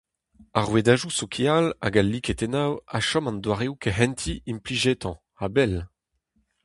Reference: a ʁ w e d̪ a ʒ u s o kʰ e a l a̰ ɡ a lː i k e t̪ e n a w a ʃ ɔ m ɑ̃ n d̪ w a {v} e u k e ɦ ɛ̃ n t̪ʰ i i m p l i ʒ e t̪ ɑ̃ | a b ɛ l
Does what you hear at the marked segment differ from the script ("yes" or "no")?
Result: yes